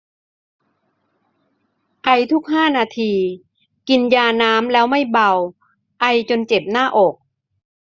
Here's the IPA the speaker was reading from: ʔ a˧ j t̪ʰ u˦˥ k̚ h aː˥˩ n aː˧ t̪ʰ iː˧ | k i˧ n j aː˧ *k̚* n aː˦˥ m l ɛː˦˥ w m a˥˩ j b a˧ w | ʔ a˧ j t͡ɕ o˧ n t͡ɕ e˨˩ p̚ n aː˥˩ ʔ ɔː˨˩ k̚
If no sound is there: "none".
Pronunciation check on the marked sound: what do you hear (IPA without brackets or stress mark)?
none